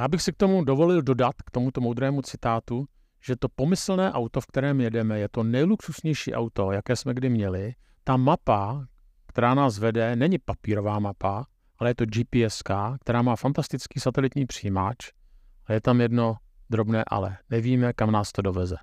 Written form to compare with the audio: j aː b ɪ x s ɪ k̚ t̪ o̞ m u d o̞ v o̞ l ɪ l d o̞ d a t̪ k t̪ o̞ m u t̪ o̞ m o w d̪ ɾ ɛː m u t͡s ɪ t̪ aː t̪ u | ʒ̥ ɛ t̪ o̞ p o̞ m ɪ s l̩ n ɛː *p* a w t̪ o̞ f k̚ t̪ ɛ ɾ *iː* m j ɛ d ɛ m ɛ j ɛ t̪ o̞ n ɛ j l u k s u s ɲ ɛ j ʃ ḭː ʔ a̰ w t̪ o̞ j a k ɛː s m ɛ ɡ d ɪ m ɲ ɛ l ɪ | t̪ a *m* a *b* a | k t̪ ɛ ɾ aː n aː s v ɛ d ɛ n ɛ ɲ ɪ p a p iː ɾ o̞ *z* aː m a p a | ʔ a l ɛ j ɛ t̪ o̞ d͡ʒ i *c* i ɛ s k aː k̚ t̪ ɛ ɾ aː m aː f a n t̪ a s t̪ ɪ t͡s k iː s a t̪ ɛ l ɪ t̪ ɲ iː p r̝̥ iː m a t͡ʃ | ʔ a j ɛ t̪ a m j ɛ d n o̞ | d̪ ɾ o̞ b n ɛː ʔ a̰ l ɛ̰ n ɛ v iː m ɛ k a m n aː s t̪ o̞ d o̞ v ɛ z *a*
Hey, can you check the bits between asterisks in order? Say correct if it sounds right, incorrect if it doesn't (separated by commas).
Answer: incorrect, incorrect, correct, incorrect, incorrect, incorrect, incorrect